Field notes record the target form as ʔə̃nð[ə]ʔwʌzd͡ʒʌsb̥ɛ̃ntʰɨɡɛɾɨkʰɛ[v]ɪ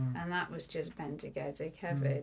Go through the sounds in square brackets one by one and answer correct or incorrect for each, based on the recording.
correct, correct

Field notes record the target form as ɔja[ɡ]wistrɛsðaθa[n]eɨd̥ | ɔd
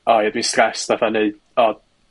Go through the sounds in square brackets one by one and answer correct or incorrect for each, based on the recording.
incorrect, correct

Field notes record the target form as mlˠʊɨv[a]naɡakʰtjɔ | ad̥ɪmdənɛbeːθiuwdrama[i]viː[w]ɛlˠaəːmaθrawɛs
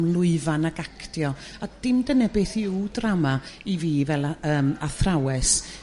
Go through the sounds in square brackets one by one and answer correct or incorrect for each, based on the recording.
correct, correct, incorrect

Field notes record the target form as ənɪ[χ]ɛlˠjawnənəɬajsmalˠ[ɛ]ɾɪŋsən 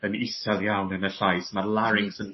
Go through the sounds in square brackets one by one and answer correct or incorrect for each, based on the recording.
incorrect, incorrect

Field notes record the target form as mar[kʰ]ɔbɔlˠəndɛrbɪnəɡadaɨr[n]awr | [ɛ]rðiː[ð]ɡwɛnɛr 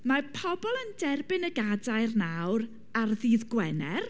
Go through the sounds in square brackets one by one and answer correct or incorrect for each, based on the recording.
incorrect, correct, incorrect, correct

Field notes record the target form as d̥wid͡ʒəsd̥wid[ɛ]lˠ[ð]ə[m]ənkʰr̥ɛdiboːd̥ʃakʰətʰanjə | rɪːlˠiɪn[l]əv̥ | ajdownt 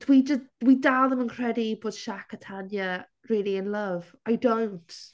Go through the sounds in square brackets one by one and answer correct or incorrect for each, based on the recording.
incorrect, correct, correct, correct

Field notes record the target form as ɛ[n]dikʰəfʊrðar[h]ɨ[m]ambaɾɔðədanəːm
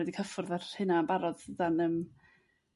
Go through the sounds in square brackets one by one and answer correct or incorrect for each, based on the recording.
incorrect, correct, incorrect

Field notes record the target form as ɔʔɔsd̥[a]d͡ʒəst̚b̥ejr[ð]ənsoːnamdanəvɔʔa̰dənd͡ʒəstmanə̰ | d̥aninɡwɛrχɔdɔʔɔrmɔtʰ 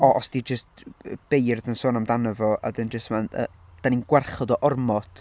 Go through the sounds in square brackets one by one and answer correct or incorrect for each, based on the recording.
incorrect, correct

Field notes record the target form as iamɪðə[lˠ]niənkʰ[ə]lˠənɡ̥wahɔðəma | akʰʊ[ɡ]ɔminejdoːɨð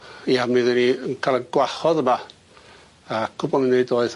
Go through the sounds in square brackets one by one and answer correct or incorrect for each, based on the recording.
incorrect, incorrect, incorrect

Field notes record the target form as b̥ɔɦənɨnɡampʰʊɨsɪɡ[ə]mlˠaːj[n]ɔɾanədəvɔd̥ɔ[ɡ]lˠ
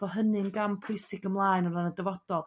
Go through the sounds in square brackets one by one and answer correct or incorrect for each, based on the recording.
correct, correct, incorrect

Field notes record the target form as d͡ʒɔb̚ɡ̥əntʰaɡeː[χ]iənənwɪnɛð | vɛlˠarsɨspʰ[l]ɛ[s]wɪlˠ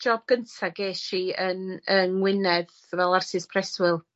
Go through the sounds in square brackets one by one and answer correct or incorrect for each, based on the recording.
incorrect, incorrect, correct

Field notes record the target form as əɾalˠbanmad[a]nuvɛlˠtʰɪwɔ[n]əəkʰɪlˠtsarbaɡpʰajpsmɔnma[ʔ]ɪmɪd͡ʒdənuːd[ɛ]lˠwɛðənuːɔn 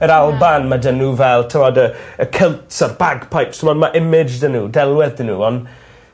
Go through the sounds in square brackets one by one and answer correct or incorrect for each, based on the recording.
incorrect, incorrect, correct, correct

